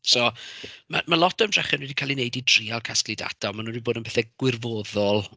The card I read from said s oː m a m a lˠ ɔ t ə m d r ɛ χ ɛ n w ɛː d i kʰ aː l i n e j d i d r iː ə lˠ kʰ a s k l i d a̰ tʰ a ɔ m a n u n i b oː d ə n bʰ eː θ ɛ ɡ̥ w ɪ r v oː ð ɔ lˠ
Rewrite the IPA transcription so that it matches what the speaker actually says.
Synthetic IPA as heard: s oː m a m a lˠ ɔ t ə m d r ɛ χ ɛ n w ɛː d i kʰ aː l i n e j d i d r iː a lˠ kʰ a s k l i d a̰ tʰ a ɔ m a n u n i b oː d ə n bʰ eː θ ɛ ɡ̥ w ɪ r v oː ð ɔ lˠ